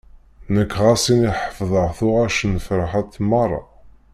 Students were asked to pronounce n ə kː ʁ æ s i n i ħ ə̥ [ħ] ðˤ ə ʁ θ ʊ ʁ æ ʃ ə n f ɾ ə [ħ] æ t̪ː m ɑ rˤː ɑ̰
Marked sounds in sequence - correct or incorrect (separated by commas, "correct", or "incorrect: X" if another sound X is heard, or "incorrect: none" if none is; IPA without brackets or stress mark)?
incorrect: f, correct